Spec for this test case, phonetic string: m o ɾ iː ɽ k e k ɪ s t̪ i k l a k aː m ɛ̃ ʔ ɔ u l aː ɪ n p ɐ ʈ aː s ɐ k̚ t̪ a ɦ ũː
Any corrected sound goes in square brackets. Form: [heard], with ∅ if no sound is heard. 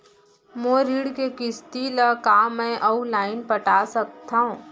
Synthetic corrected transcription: m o ɾ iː ɽ k e k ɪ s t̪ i [∅] l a k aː m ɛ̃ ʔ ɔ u l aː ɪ n p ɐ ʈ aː s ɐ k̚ t̪ a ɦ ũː